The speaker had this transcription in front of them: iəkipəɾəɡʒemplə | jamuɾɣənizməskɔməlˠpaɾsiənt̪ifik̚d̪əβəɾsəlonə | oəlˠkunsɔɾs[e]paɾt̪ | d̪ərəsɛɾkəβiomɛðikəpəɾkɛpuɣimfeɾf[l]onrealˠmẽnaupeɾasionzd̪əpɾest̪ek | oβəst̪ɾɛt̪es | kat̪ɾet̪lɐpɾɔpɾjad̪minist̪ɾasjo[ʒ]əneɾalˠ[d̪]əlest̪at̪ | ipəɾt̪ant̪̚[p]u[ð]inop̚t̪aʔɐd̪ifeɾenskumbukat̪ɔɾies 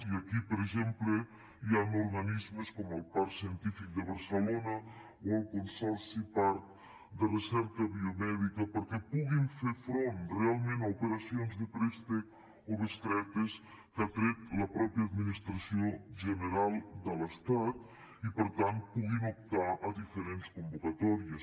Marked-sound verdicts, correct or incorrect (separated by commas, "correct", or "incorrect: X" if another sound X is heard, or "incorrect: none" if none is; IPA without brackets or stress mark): incorrect: i, incorrect: ɾ, correct, correct, correct, incorrect: ɣ